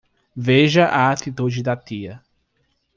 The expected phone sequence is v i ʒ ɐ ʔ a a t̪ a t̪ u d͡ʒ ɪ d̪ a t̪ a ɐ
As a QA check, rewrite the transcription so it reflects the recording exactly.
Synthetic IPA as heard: v e ʒ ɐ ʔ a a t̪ i t̪ u d͡ʒ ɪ d̪ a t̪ i ɐ